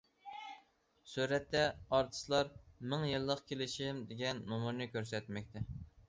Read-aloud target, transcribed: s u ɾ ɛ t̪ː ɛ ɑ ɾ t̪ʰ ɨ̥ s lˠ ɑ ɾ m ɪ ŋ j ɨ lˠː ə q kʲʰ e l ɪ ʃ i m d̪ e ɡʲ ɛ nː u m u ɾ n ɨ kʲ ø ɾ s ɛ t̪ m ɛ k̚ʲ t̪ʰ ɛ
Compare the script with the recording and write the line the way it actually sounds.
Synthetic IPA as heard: s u ɾ ɛ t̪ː ɛ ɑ ɾ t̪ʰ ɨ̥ s lˠ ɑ ɾ m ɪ ŋ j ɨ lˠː ə q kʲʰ e l ɪ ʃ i m d̪ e ɡʲ ɛ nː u m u ɾ n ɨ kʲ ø ɾ s ɛ t̪ m ɛ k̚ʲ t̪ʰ ɛ